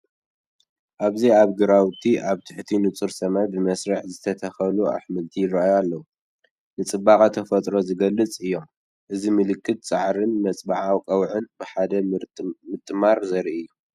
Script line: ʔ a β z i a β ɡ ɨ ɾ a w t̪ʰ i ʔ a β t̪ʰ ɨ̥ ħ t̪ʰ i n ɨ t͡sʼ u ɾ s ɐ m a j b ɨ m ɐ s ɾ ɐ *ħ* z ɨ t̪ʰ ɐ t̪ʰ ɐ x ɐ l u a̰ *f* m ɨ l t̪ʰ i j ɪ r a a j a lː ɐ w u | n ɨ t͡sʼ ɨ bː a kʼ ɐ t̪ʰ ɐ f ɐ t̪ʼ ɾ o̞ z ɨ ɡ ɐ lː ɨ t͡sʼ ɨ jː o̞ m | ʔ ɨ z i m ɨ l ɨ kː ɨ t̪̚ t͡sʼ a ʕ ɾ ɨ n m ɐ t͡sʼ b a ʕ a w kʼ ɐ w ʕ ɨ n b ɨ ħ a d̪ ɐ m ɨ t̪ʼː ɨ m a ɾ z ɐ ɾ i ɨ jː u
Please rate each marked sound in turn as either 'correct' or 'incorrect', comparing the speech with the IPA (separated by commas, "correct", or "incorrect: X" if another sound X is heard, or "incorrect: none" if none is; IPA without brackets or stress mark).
correct, incorrect: ħ